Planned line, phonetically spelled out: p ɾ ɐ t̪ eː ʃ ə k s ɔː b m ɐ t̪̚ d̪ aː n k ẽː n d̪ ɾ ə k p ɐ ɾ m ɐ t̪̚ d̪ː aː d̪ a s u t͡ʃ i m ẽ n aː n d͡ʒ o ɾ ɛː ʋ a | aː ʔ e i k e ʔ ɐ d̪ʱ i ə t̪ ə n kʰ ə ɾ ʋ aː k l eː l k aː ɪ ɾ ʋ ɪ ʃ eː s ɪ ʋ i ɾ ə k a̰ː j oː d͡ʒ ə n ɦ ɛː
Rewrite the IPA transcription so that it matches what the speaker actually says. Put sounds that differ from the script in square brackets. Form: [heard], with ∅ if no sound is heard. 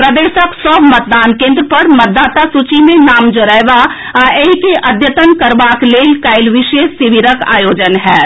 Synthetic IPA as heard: p ɾ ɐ [d̪] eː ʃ ə k s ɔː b m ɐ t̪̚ d̪ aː n k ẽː n d̪ ɾ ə [∅] p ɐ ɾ m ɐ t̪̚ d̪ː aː [t̪] a s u t͡ʃ i m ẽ n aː [m] d͡ʒ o ɾ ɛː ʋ a | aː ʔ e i k e ʔ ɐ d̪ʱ [j] ə t̪ ə n [k] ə ɾ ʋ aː k l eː l k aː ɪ [l] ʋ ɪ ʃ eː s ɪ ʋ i ɾ ə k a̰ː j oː d͡ʒ ə n ɦ ɛː

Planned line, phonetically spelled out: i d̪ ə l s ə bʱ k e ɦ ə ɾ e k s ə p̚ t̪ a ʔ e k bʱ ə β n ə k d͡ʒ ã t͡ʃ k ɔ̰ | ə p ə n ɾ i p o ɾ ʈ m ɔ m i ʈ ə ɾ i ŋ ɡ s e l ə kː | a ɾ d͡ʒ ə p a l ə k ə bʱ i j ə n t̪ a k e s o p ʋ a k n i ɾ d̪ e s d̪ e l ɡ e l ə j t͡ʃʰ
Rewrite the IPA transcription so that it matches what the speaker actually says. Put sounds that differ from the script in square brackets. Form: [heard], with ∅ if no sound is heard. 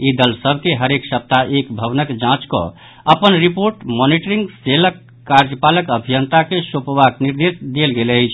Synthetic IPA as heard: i d̪ ə l s ə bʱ k e ɦ ə ɾ e k s ə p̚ t̪ a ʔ e k bʱ ə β n ə k d͡ʒ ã t͡ʃ k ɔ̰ | ə p ə n ɾ i p o ɾ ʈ m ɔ [n] i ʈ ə ɾ i ŋ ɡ s e l ə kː | a ɾ d͡ʒ ə p a l ə k ə bʱ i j ə n t̪ a k e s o p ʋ a k n i ɾ d̪ e s d̪ e l ɡ e l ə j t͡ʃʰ

